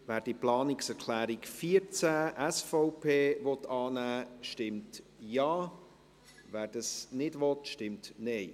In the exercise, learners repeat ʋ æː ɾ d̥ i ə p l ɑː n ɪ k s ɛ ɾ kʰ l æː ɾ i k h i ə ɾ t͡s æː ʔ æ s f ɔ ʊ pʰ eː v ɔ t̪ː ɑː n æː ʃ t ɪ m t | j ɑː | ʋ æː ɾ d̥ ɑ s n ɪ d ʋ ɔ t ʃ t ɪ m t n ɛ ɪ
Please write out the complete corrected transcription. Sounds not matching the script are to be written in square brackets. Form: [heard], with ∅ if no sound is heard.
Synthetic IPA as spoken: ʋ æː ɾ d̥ i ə p l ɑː n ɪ k s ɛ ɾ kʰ l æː ɾ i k [f] i ə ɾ t͡s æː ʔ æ s f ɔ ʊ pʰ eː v ɔ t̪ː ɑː n æː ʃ t ɪ m t | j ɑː | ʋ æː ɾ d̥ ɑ s n ɪ d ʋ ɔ t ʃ t ɪ m t n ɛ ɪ